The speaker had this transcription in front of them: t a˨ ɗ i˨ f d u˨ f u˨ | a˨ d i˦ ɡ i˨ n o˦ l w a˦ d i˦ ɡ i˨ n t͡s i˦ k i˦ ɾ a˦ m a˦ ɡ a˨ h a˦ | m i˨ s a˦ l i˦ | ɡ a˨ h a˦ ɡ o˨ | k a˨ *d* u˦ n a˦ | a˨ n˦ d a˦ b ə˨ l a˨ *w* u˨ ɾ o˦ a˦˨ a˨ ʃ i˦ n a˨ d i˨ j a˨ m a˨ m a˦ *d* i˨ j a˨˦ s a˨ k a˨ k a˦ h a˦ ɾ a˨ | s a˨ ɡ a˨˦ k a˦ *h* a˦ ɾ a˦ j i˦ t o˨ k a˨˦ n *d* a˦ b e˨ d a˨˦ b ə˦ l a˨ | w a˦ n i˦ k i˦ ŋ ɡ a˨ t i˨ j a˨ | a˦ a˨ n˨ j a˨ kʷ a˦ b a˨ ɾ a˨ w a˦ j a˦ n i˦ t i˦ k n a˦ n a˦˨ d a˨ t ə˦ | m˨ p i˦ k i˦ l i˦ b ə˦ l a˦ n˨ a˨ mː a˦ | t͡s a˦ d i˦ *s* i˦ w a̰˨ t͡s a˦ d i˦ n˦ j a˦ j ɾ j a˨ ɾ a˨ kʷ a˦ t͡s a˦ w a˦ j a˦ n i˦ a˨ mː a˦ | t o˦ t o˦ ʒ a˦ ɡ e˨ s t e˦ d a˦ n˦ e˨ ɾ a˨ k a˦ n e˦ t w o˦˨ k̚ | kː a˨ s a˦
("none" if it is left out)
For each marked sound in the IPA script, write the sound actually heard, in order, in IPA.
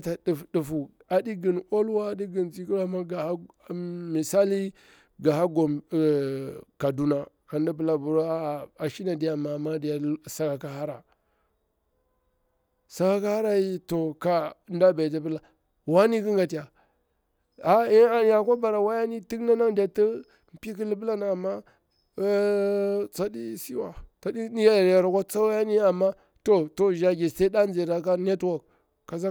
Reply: d, b, d, h, d, s

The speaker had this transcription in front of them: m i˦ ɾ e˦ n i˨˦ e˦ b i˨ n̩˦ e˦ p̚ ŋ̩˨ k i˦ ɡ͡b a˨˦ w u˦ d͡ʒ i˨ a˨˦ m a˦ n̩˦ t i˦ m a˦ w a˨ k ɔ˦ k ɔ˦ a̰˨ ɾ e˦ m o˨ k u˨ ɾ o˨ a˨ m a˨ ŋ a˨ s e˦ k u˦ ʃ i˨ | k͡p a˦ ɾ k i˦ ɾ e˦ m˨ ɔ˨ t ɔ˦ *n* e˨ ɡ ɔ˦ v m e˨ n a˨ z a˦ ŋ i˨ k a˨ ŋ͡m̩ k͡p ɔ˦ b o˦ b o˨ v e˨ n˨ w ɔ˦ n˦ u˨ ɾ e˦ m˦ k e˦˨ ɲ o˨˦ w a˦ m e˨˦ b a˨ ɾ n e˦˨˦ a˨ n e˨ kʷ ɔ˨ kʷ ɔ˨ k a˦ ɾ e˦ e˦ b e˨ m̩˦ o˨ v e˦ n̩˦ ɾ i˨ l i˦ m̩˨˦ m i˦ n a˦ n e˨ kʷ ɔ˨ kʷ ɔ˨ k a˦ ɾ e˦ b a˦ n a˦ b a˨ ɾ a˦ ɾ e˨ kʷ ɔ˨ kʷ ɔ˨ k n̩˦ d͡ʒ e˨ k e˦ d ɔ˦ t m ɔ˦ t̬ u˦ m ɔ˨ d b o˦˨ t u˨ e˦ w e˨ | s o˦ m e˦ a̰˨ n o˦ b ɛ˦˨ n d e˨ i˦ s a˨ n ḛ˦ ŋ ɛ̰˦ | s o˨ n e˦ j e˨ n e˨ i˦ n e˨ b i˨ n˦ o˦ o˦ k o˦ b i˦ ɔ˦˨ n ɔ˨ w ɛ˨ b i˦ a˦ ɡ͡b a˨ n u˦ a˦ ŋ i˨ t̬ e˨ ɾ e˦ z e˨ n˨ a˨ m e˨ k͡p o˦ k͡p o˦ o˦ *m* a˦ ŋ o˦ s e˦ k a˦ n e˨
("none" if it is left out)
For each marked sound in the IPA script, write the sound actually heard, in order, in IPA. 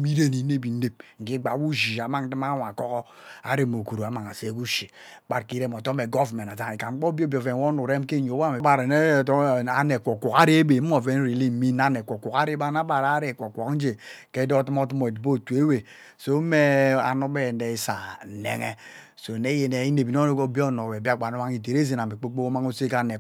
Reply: m, m

